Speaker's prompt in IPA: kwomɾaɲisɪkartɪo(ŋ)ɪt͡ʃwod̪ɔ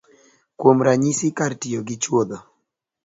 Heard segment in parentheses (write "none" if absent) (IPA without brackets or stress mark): ɡ